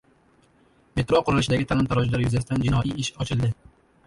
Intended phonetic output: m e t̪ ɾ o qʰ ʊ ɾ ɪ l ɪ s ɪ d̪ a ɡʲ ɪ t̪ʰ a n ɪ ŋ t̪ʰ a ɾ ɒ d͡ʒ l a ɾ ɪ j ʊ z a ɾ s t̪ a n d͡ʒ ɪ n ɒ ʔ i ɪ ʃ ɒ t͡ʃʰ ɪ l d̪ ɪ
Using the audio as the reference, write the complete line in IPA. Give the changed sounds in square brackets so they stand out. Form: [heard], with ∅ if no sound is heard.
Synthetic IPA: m e t̪ ɾ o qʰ ʊ ɾ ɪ l ɪ [ʃ] ɪ d̪ a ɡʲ ɪ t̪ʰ a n ɪ [m] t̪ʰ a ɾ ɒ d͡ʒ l a ɾ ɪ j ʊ z a [∅] s t̪ a n d͡ʒ ɪ n ɒ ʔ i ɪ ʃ ɒ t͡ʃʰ ɪ l d̪ ɪ